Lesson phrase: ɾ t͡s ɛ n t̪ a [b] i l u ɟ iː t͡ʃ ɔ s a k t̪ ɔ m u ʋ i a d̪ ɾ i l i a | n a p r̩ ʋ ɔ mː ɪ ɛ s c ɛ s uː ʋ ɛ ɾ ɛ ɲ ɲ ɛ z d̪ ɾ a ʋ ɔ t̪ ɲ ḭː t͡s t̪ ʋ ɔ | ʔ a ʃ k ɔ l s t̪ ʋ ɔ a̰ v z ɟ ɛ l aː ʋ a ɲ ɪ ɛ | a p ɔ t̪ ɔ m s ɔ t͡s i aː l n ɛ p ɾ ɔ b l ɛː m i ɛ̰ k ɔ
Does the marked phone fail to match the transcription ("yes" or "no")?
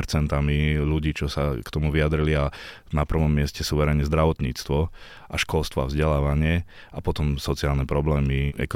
yes